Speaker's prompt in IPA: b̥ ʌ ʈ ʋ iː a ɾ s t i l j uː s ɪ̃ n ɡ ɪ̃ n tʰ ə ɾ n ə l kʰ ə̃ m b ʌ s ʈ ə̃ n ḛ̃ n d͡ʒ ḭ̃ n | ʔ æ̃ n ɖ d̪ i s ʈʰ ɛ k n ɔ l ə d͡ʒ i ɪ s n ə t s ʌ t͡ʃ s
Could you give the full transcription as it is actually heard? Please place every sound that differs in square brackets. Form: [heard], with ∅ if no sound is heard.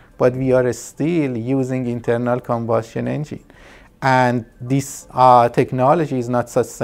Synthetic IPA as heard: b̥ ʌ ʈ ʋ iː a ɾ s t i l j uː [z] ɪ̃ [ŋ] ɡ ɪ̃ n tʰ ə ɾ n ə l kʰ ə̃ m b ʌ s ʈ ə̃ n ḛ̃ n d͡ʒ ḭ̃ n | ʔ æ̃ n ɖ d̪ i s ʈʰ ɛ k n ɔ l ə d͡ʒ i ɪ [z] n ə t s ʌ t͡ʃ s